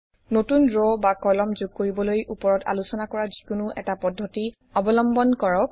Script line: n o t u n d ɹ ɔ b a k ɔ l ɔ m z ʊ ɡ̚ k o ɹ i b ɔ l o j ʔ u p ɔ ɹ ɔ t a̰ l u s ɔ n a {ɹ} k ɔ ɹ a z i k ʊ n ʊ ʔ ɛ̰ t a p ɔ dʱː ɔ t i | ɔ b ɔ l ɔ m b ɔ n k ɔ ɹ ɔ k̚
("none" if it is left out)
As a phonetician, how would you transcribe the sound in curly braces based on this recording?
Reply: none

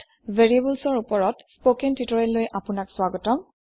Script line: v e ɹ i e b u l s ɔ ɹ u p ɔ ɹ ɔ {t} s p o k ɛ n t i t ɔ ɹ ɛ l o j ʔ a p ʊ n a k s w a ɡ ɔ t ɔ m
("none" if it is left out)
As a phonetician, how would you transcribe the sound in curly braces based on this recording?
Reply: t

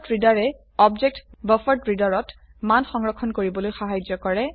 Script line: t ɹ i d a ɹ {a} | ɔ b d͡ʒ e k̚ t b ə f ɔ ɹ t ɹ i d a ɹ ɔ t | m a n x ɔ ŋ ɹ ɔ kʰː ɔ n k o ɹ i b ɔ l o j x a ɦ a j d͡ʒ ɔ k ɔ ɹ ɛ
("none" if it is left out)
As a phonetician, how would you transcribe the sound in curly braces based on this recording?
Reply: ɛ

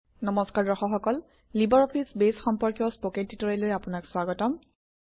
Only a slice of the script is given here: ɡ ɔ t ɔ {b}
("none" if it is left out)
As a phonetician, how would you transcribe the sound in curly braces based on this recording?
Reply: m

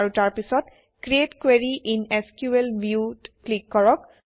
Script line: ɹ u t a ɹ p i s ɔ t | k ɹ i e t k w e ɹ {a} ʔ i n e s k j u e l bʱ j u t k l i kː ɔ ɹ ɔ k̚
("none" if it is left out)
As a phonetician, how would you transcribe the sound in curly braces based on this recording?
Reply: i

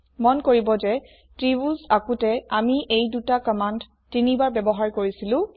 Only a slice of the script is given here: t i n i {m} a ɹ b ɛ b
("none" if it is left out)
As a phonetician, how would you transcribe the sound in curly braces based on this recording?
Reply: b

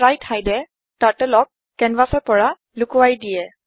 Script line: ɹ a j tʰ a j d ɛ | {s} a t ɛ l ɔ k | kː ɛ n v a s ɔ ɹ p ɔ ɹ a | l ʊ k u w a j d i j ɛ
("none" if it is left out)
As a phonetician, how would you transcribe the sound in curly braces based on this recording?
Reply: t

